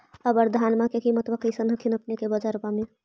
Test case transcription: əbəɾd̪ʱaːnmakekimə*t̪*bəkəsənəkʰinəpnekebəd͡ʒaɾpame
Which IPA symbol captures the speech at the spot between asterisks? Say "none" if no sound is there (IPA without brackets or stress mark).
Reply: t̪